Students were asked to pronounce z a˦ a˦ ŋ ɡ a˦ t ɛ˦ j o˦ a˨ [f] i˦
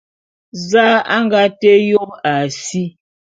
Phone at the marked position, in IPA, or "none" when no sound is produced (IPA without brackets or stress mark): s